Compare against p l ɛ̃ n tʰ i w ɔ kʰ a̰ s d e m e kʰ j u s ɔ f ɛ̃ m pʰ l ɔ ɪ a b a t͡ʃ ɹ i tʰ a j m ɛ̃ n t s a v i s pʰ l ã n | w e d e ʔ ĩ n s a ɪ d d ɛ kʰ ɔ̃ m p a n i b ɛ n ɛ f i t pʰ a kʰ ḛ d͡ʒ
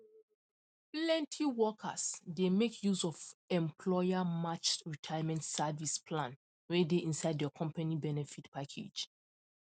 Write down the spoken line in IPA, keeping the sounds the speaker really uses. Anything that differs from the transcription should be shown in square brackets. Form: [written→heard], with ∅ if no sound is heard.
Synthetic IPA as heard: p l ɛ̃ n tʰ i w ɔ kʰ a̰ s d e m e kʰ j u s ɔ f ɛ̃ m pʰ l ɔ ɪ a [b→m] a t͡ʃ ɹ i tʰ a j m ɛ̃ n t s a v i s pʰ l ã n | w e d e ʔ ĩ n s a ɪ d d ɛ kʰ ɔ̃ m p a n i b ɛ n ɛ f i t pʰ a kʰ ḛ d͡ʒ

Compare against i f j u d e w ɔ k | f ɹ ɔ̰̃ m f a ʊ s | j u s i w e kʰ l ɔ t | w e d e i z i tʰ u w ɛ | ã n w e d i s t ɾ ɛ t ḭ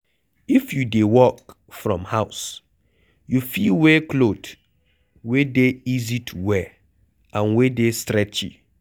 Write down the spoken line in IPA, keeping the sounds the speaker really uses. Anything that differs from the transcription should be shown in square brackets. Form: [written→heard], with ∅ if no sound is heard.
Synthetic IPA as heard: i f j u d e w ɔ k | f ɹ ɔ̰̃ m [f→h] a ʊ s | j u [s→f] i w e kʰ l [ɔ→o] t | w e d e i z i tʰ u w ɛ | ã n w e d [i→e] s t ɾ ɛ [t→t͡ʃ] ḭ

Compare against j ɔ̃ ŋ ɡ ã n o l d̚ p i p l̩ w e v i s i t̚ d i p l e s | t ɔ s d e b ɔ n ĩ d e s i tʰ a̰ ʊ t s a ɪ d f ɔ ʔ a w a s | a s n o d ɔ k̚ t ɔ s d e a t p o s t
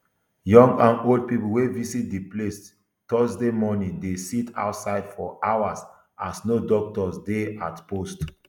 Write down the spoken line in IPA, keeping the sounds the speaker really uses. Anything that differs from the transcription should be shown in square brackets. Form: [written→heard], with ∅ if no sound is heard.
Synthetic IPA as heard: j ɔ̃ ŋ ɡ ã n o l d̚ p i p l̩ w e v i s i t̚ d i p l e s | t ɔ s d e [b→m] ɔ n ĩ d e s i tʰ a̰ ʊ t s a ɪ d f ɔ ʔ a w a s | a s n o d ɔ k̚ t ɔ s d e a t p o s t

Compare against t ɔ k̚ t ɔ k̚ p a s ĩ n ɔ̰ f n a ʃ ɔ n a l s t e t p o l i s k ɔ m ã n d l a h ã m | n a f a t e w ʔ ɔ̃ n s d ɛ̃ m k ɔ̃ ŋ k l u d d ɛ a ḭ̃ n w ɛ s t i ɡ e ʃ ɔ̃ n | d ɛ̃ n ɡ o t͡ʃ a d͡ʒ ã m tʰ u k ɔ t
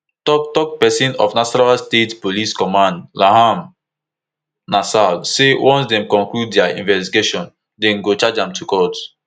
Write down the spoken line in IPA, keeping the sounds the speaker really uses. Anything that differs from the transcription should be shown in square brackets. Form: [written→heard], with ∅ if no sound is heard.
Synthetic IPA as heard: t ɔ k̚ t ɔ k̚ p [a→ɛ] s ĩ n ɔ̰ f n a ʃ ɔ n a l s t e t p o l i s k ɔ m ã n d l a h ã m | n a [f→s] a [t→s] e w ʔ ɔ̃ n s d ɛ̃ m k ɔ̃ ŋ k l u d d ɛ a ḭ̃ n [w→v] ɛ s t i ɡ e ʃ ɔ̃ n | d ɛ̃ n ɡ o t͡ʃ a d͡ʒ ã m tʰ u k ɔ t

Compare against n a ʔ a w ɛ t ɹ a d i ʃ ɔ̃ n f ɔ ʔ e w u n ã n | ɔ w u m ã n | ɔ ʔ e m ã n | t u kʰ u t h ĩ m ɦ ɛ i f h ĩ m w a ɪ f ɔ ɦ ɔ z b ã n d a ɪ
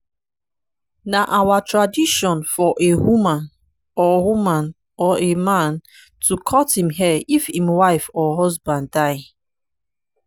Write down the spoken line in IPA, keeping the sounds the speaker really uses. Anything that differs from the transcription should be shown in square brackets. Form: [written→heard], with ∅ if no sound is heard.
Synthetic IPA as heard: n a ʔ a w [ɛ→a] t ɹ a d i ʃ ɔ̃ n f ɔ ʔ e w u [n→m] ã n | ɔ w u m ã n | ɔ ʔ e m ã n | t u kʰ [u→ɔ] t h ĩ m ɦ ɛ i f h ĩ m w a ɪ f ɔ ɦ ɔ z b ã n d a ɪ

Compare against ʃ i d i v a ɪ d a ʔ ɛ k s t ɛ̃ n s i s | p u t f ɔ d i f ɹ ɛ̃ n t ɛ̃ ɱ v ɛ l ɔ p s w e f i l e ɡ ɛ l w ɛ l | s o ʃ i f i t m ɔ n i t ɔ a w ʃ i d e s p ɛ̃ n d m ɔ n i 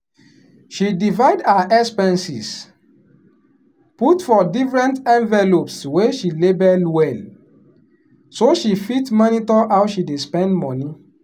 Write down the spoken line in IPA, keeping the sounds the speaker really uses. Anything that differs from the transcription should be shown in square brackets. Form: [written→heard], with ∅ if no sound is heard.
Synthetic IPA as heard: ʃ i d i v a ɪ d a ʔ ɛ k s [t→p] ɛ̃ n s i s | p u t f ɔ d i f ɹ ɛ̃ n t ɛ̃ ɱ v ɛ l [ɔ→o] p s w e [f→ʃ] i l e [ɡ→b] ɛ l w ɛ l | s o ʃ i f i t m ɔ n i t ɔ a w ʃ i d e s p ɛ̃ n d m ɔ n i

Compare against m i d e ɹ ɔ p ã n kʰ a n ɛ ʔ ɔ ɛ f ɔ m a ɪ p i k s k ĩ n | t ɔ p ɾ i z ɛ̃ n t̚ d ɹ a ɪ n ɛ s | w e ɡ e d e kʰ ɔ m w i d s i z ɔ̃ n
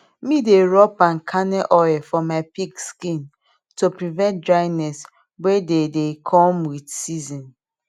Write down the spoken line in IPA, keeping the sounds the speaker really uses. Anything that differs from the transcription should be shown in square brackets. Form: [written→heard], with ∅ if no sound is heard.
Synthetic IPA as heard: m i d e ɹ ɔ p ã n kʰ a n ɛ ʔ ɔ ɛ f ɔ m a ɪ p i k s k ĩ n | t [ɔ→o] p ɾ i [z→v] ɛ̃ n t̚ d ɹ a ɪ n ɛ s | w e [ɡ→d] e d e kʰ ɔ m w i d s i z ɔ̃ n

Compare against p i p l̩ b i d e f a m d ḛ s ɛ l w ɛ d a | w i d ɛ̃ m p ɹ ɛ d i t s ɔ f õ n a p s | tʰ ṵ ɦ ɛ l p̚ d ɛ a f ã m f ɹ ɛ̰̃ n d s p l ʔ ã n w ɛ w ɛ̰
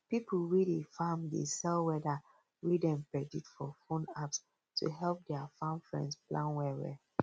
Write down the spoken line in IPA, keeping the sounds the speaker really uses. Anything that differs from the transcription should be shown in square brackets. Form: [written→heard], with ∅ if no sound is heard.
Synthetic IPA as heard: p i p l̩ [b→w] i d e f a m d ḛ s ɛ l w ɛ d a | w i d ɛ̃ m p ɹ ɛ d i t [s→f] ɔ f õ n a p s | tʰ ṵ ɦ ɛ l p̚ d ɛ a f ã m f ɹ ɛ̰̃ n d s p l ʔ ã n w ɛ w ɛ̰

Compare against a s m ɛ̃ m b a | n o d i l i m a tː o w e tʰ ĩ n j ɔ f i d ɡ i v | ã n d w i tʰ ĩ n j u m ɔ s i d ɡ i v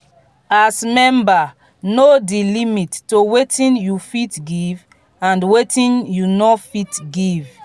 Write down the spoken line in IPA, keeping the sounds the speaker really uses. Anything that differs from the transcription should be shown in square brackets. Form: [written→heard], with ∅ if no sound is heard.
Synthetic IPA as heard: a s m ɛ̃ m b a | n o d i l i m [a→i] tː o w e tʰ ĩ n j [ɔ→u] f i [d→t] ɡ i v | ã n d w [i→e] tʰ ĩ n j u [m→n] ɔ [s→f] i [d→t] ɡ i v

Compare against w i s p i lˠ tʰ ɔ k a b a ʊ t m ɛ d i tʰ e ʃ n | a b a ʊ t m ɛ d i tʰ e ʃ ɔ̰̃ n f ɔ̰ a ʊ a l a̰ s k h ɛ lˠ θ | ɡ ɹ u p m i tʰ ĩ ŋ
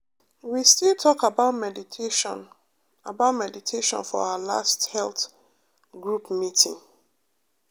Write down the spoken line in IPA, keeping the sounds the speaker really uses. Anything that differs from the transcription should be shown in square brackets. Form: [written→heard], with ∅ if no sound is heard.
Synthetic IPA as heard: w i s [p→t] i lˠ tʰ ɔ k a b a ʊ t m ɛ d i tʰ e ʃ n | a b a ʊ t m ɛ d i tʰ e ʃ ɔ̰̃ n f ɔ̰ a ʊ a l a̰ s [k→t] h ɛ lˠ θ | ɡ ɹ u p m i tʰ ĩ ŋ

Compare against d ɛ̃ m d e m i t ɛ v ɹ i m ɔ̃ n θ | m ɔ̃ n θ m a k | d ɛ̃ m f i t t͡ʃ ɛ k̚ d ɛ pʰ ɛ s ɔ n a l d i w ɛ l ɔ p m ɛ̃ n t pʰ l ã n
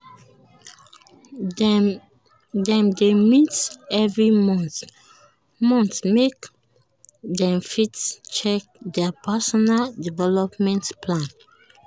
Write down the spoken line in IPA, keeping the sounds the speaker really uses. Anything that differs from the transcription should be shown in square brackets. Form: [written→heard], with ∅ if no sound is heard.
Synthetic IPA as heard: d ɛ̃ m d e m i t ɛ v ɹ i m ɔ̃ n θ | m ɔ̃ n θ m [a→e] k | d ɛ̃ m f i t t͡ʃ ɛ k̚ d ɛ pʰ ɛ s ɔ n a l d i [w→v] ɛ l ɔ p m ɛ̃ n t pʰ l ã n

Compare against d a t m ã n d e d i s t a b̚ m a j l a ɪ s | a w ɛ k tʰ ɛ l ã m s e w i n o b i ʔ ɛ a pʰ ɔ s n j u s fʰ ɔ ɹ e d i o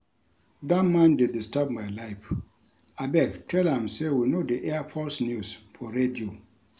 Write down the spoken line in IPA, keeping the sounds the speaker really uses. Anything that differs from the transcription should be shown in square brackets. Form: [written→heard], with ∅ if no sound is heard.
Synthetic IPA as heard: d a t m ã n d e d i s t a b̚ m a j l a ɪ [s→f] | a [w→b] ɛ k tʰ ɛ l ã m s e w i n o [b→d] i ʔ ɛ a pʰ ɔ s n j u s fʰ ɔ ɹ e d i o

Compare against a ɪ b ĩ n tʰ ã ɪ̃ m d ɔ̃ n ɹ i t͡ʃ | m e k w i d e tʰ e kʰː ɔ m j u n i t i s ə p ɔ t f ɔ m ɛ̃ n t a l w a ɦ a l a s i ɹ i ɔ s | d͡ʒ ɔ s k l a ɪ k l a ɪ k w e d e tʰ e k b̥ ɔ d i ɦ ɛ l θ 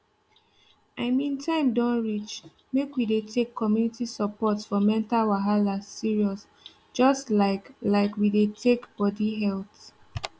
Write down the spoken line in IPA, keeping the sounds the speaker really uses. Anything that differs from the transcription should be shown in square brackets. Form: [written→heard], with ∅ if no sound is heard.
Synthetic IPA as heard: a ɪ [b→m] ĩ n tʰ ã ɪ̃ m d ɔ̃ n ɹ i t͡ʃ | m e k w i d e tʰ e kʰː ɔ m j u n i t i s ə p ɔ t f ɔ m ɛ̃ n t a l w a ɦ a l a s i ɹ i ɔ s | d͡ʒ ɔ s [k→t] l a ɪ k l a ɪ k w [e→i] d e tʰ e k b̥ ɔ d i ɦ ɛ l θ

